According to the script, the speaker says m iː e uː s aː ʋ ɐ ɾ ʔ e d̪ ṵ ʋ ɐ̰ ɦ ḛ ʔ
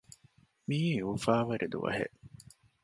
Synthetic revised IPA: m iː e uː f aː ʋ ɐ ɾ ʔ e d̪ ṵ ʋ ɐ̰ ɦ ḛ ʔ